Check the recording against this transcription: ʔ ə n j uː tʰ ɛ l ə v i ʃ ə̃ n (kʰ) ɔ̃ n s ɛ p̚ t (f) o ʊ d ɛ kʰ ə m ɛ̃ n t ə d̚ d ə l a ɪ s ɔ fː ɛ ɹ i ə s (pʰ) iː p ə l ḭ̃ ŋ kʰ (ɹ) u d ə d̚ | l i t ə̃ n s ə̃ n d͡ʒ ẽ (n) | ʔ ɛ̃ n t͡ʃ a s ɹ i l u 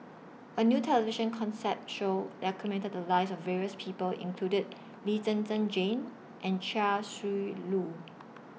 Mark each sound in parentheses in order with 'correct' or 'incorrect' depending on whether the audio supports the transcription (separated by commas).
correct, incorrect, correct, incorrect, correct